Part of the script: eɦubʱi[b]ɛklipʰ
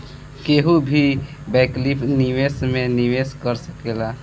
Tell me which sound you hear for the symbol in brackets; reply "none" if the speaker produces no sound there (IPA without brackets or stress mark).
b